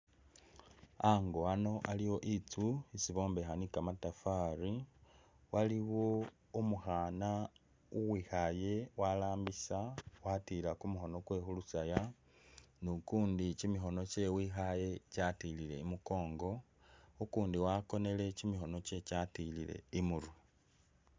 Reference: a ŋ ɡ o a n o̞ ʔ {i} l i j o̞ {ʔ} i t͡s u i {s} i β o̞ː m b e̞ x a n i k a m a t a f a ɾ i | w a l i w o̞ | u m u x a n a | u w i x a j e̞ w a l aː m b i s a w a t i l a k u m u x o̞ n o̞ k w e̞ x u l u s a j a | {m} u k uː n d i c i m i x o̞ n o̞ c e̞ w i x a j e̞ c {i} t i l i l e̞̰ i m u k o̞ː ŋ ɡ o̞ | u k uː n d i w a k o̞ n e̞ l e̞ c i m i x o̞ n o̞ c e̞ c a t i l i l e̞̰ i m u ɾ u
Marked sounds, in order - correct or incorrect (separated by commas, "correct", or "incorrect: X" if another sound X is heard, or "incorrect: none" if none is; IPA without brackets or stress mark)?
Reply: incorrect: a, correct, correct, incorrect: n, incorrect: a